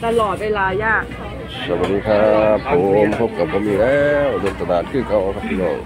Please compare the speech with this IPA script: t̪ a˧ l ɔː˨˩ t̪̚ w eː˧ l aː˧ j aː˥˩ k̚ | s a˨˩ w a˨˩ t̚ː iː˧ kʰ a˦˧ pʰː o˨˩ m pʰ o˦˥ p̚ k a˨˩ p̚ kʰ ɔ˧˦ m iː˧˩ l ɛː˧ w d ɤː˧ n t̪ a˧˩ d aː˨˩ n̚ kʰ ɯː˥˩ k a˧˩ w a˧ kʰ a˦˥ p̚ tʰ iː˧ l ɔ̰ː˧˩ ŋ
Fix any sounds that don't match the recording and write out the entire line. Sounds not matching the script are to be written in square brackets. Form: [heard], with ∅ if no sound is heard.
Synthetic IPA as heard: t̪ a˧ l ɔː˨˩ t̪̚ w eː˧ l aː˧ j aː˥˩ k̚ | s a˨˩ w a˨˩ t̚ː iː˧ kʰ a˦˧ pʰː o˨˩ m pʰ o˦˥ p̚ k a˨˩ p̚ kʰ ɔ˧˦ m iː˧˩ l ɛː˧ w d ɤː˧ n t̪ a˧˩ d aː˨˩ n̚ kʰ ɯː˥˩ k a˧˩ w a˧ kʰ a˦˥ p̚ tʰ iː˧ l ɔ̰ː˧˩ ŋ

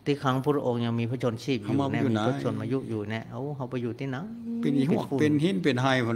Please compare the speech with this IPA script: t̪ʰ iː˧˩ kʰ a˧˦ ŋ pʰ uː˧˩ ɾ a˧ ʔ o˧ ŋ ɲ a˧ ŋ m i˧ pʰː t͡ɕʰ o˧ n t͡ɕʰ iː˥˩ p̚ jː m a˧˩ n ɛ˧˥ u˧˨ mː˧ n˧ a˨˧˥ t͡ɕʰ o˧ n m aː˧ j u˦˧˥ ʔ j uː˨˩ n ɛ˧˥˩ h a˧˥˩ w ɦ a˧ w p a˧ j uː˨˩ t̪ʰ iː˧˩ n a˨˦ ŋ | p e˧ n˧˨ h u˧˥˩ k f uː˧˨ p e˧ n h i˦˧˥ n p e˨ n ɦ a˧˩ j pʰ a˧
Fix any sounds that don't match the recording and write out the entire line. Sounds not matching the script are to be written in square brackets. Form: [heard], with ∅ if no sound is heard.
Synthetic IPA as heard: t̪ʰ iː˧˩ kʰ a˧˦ ŋ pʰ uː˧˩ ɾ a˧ ʔ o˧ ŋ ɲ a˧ ŋ m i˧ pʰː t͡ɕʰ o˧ n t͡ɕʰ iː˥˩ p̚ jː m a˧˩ n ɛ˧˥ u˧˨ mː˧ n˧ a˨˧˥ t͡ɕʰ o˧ n m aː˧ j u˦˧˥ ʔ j uː˨˩ n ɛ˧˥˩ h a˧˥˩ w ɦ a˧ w p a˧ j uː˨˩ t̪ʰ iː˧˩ n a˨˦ ŋ | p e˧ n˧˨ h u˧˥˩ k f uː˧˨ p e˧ n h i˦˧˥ n p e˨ n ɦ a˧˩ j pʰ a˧

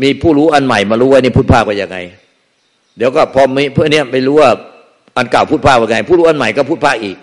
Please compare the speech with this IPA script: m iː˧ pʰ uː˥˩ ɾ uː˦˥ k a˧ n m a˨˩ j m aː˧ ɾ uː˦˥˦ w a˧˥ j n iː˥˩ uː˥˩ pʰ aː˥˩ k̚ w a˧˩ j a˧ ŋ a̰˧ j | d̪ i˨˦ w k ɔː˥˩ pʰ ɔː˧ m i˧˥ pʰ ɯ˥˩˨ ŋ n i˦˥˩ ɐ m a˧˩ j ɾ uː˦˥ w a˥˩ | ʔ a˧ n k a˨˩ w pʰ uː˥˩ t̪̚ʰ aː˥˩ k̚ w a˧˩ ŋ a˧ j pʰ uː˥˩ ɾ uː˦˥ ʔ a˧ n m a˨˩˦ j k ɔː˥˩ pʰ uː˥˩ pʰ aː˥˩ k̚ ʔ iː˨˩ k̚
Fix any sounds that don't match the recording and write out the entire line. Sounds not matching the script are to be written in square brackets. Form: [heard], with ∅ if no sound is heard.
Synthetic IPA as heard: m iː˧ pʰ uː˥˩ ɾ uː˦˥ [ʔ] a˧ n m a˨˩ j m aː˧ ɾ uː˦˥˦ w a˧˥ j n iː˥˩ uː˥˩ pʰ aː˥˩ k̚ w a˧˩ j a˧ ŋ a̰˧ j | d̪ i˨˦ w k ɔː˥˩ pʰ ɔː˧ m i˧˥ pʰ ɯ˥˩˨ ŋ n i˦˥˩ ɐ m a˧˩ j ɾ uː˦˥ w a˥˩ | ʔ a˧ n k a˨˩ w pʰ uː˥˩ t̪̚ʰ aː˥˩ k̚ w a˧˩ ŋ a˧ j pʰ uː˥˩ ɾ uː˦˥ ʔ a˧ n m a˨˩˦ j k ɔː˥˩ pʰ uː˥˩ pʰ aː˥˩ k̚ ʔ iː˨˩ k̚

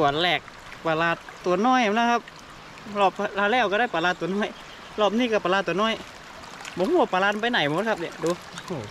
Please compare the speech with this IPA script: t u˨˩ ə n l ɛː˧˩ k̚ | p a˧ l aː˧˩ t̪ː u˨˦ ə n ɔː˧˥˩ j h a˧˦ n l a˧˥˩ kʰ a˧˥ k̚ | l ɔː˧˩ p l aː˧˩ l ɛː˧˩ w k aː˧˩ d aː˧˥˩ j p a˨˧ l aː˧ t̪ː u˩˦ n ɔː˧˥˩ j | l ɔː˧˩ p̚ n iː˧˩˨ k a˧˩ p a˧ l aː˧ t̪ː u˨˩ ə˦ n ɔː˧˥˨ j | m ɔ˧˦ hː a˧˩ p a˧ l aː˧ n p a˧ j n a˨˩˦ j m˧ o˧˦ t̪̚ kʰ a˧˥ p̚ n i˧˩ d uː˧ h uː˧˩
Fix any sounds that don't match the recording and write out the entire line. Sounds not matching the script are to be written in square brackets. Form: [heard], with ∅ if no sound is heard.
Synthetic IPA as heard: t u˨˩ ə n l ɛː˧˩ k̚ | p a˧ l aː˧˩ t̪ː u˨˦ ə n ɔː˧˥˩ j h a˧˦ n l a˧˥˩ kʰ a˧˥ [p̚] | l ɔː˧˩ p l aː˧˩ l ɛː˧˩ w k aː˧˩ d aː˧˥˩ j p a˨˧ l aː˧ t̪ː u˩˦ n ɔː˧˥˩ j | l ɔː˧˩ p̚ n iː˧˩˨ k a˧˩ p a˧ l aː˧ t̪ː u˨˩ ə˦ n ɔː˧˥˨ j | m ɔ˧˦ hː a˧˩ p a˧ l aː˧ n p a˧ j n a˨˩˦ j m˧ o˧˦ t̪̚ kʰ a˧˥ p̚ n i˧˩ d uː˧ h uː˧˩

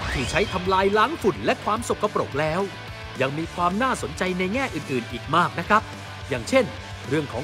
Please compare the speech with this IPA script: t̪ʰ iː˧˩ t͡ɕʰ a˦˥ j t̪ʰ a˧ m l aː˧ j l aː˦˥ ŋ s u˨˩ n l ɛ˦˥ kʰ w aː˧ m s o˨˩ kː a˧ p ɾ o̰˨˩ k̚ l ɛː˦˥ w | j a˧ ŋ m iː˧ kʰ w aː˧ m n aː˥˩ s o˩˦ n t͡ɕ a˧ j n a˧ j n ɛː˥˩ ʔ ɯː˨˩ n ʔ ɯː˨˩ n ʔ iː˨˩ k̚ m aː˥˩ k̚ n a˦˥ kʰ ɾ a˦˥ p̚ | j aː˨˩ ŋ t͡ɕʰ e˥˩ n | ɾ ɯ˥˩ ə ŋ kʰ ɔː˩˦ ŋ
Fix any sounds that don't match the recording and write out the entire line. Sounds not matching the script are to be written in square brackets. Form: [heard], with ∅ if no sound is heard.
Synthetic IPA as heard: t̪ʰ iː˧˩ t͡ɕʰ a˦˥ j t̪ʰ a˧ m l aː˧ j l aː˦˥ ŋ [f] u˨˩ n l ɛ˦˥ kʰ w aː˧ m s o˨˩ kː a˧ p ɾ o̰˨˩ k̚ l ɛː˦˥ w | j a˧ ŋ m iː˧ kʰ w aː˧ m n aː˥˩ s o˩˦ n t͡ɕ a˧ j n a˧ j [ŋ] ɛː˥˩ ʔ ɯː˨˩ n ʔ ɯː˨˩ n ʔ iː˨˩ k̚ m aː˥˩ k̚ n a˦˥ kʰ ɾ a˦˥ p̚ | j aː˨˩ ŋ t͡ɕʰ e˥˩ n | ɾ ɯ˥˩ ə ŋ kʰ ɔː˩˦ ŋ

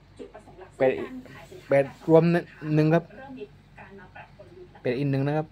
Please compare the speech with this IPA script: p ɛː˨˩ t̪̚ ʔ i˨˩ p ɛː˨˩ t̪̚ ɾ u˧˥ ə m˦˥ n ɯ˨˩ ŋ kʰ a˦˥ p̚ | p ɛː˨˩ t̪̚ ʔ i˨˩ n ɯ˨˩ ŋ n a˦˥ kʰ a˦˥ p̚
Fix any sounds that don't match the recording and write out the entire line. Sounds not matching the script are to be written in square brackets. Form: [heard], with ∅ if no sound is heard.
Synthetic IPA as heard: p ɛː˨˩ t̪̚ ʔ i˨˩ p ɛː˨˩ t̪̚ ɾ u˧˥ ə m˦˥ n ɯ˨˩ ŋ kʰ a˦˥ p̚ | p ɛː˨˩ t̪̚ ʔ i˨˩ n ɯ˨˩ ŋ n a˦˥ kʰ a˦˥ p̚

